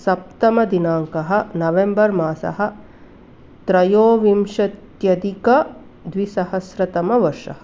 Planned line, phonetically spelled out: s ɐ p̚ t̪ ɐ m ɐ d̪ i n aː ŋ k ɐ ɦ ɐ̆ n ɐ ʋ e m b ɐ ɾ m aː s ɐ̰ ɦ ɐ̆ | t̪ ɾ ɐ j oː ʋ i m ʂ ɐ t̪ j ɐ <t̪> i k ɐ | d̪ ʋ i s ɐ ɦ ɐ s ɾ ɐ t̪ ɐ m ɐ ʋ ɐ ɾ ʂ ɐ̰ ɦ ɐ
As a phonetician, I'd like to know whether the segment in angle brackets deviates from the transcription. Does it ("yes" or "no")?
yes